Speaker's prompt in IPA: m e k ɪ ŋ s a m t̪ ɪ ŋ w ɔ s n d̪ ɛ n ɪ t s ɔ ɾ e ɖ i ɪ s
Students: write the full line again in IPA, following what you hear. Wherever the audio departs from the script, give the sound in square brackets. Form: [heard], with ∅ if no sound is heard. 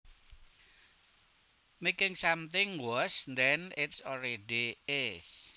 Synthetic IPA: m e k ɪ ŋ s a m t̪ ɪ ŋ w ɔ s n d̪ ɛ n ɪ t s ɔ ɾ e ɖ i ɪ s